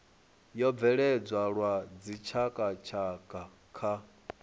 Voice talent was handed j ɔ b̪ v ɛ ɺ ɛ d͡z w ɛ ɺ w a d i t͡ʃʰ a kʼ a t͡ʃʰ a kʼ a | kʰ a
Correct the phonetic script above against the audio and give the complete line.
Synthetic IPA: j ɔ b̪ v ɛ ɺ ɛ d͡z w a ɺ w a d͡z i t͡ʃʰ a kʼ a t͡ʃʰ a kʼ a | kʰ a